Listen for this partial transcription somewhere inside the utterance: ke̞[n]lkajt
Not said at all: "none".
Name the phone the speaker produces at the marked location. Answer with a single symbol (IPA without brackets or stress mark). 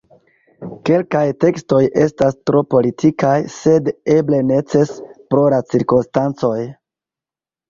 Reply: none